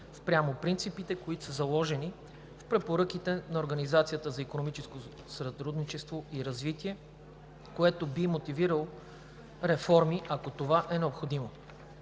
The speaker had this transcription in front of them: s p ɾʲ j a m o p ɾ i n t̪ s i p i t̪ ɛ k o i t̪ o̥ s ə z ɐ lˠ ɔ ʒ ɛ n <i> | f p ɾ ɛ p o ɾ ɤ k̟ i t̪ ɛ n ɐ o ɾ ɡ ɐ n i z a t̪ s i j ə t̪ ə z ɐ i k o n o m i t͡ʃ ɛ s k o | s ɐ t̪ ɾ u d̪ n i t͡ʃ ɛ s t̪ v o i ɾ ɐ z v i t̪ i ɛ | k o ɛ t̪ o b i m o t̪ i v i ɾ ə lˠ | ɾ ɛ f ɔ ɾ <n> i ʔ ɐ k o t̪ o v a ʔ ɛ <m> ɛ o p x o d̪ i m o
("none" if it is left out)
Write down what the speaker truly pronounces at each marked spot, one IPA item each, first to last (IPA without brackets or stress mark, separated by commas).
i, m, n